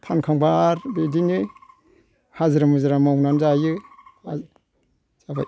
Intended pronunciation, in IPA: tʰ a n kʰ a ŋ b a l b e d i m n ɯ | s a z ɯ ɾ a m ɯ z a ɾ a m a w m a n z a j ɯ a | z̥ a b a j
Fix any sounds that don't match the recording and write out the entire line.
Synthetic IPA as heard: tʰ a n kʰ a ŋ b a ɾ b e d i n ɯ | h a z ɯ ɾ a m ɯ z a ɾ a m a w n a n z a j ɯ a | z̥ a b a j